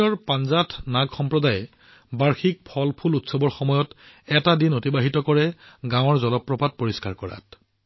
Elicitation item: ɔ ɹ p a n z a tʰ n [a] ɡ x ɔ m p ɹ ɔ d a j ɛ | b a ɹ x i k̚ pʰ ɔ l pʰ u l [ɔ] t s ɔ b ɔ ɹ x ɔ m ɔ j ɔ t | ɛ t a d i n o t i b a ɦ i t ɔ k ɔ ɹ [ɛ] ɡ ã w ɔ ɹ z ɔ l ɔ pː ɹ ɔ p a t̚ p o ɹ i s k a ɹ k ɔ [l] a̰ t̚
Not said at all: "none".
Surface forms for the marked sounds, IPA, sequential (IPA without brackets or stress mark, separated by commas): a, u, ɛ, ɹ